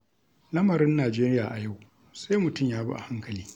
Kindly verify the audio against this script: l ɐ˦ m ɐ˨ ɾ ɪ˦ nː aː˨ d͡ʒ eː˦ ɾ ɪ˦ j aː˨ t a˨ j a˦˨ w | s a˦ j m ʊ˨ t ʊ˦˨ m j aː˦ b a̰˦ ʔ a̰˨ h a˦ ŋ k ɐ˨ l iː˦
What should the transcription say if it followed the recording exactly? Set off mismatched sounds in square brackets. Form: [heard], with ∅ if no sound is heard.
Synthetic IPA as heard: l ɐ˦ m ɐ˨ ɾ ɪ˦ nː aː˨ d͡ʒ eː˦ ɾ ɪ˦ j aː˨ [ʔ] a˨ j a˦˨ w | s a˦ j m ʊ˨ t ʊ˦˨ m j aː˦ b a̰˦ ʔ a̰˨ h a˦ ŋ k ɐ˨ l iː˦